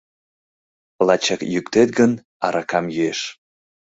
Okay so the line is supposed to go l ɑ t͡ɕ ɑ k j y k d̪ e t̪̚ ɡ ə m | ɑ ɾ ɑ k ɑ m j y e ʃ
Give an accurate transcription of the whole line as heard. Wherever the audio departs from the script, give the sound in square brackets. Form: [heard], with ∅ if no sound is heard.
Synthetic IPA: l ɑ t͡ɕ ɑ k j y k [t̪] e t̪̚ ɡ ə [n] | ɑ ɾ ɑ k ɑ m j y e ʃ